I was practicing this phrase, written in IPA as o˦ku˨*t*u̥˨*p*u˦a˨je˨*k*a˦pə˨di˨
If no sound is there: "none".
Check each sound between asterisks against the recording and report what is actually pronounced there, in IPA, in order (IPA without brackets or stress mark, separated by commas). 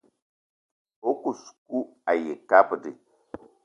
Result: s, k, k